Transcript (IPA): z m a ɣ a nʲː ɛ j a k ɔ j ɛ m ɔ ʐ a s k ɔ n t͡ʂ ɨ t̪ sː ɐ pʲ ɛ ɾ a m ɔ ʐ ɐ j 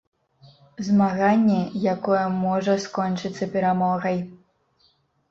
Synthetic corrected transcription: z m a ɣ a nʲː ɛ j a k ɔ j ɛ m ɔ ʐ ɐ s k ɔ n t͡ʂ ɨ t̪ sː ɐ pʲ ɛ ɾ a m ɔ ɣ ɐ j